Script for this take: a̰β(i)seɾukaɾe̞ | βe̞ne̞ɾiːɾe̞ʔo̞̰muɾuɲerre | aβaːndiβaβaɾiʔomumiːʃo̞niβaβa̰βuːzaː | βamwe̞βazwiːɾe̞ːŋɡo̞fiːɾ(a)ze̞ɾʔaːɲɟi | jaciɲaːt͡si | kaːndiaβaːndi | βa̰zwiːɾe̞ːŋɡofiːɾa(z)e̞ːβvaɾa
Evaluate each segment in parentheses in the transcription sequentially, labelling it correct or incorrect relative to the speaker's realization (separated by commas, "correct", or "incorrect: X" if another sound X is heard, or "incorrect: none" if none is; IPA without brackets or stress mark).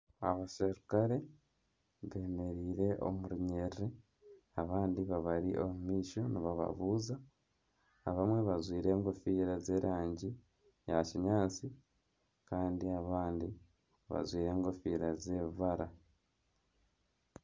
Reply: incorrect: a, correct, correct